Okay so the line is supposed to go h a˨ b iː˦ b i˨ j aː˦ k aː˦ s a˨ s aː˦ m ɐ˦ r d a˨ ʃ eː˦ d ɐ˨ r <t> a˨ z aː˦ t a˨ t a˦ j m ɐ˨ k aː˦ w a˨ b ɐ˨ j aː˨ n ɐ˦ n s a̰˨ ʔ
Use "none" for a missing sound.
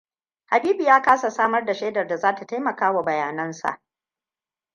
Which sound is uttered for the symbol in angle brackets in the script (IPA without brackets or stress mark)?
d